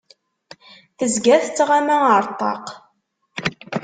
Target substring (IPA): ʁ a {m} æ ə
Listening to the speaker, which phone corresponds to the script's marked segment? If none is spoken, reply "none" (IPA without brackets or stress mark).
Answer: m